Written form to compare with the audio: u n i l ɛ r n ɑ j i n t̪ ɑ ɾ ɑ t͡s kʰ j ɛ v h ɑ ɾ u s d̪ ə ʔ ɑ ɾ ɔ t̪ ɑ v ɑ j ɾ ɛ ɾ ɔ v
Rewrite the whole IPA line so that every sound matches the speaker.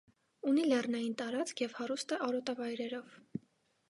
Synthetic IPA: u n i l ɛ r n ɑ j i n t̪ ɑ ɾ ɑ t͡s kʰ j ɛ v h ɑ ɾ u s t̪ ə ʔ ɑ ɾ ɔ t̪ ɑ v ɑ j ɾ ɛ ɾ ɔ v